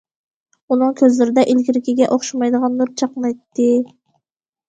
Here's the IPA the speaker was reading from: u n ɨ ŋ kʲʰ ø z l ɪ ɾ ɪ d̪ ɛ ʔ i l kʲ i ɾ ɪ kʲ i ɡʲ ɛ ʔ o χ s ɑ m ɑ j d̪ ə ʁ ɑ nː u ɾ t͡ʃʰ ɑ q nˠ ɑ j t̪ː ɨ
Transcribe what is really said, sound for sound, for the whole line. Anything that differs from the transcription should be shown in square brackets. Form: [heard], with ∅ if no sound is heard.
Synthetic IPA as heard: u n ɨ ŋ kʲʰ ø z l ɪ ɾ ɪ d̪ ɛ ʔ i l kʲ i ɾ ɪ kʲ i ɡʲ ɛ ʔ o χ [ʃ] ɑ m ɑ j d̪ ə ʁ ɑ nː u ɾ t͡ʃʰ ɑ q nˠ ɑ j t̪ː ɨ